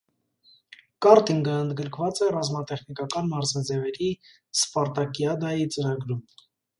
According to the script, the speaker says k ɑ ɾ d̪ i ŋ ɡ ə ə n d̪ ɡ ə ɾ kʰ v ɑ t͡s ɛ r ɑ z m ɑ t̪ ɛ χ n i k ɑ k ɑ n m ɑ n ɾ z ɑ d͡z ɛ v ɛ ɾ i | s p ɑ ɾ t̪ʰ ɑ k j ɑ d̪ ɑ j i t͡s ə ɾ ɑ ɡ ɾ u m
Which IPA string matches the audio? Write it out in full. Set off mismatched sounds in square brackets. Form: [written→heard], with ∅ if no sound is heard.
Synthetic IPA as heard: k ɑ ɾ [d̪→t̪] i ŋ ɡ ə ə n d̪ ɡ ə ɾ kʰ v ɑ t͡s ɛ r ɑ z m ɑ t̪ ɛ χ n i k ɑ k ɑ n m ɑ [n→∅] ɾ z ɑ d͡z ɛ v ɛ ɾ i | s p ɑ ɾ [t̪ʰ→t̪] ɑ k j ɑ d̪ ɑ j i t͡s ə ɾ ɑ ɡ ɾ u m

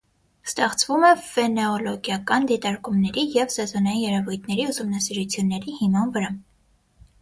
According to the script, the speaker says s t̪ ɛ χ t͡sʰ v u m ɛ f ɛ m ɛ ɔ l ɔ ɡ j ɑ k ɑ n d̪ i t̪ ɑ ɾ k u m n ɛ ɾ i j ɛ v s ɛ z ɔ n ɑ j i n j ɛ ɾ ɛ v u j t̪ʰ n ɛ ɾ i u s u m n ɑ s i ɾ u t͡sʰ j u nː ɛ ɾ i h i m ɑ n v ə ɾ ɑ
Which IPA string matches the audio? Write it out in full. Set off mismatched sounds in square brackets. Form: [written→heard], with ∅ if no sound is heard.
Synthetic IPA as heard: s t̪ ɛ χ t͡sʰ v u m ɛ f ɛ [m→n] ɛ ɔ l ɔ ɡ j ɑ k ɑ n d̪ i t̪ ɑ ɾ k u m n ɛ ɾ i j ɛ v s ɛ z ɔ n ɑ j i n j ɛ ɾ ɛ v u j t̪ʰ n ɛ ɾ i u s u m n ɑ s i ɾ u t͡sʰ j u nː ɛ ɾ i h i m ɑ n v ə ɾ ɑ

